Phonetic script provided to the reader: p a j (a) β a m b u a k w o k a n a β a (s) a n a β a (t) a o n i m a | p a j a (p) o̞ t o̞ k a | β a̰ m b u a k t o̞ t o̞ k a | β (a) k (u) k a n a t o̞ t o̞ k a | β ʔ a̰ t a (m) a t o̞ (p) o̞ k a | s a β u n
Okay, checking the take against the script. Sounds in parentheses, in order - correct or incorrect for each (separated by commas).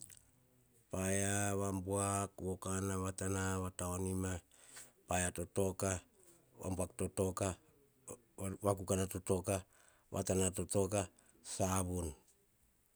correct, incorrect, correct, incorrect, correct, correct, incorrect, incorrect